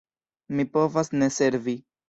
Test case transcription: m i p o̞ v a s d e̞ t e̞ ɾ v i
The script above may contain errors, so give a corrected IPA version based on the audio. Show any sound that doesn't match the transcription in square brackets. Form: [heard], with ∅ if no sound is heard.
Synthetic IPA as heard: m i p o̞ v a s [n] e̞ [s] e̞ ɾ v i

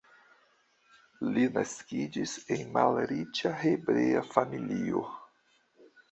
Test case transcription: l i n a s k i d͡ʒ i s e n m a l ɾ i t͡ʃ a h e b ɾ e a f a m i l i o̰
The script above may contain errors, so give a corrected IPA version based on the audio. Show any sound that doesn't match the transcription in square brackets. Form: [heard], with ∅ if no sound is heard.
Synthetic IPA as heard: l i n a s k i d͡ʒ i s e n m a l ɾ i t͡ʃ a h e b ɾ e a f a m i l i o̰

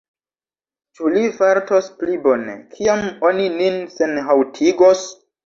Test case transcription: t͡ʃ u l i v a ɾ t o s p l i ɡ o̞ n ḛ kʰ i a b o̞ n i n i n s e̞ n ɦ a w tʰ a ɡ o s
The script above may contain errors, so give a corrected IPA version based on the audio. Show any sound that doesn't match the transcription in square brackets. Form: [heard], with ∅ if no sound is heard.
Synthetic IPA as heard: t͡ʃ u l i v a ɾ t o s p l i [b] o̞ n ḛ kʰ i a [m] o̞ n i n i n s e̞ n ɦ a w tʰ [i] ɡ o s

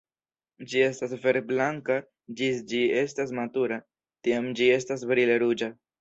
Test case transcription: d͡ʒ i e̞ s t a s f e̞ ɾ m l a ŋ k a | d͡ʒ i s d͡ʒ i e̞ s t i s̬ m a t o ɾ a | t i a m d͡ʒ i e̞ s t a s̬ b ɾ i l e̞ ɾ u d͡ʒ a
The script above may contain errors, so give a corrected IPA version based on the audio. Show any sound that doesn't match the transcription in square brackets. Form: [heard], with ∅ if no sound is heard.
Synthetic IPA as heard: d͡ʒ i e̞ s t a s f e̞ ɾ [b] l a ŋ k a | d͡ʒ i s d͡ʒ i e̞ s t [a] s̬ m a t [u] ɾ a | t i a m d͡ʒ i e̞ s t a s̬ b ɾ i l e̞ ɾ u d͡ʒ a

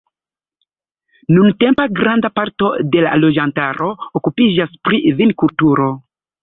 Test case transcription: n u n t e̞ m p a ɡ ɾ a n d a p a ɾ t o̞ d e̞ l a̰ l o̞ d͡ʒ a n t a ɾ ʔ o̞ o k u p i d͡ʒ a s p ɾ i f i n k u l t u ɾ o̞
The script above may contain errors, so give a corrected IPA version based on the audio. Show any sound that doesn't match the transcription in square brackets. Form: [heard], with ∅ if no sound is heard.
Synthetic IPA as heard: n u n t e̞ m p a ɡ ɾ a n d a p a ɾ t o̞ d e̞ l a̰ l o̞ d͡ʒ a n t a ɾ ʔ o̞ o k u p i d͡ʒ a s p ɾ i [v] i n k u l t u ɾ o̞

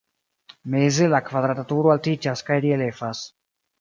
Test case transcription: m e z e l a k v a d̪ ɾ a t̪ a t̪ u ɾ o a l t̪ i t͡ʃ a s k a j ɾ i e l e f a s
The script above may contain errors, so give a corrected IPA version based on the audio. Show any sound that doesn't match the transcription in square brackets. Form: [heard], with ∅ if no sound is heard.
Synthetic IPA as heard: m e z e l a k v a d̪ ɾ a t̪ a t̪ u ɾ o a l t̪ i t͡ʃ a s k a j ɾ i e l e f a s

